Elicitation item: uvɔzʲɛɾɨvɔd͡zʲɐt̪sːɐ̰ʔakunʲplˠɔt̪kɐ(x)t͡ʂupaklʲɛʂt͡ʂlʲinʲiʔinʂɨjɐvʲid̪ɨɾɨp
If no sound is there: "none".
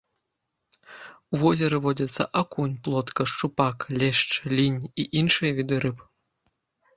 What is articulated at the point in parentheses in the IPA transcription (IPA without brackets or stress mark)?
ʂ